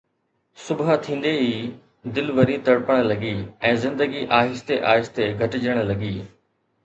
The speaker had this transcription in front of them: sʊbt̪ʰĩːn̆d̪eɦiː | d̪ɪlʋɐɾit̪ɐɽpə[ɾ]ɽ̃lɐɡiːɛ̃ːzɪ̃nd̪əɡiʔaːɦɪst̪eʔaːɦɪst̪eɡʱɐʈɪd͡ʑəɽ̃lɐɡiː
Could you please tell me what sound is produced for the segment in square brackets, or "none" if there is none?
none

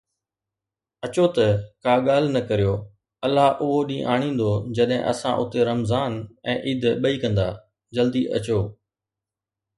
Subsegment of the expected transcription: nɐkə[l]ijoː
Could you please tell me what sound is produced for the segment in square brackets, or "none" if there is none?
ɾ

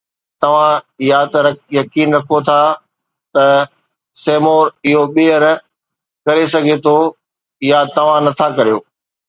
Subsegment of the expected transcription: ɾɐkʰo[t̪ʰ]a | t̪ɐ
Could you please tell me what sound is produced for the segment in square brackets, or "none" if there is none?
t̪ʰ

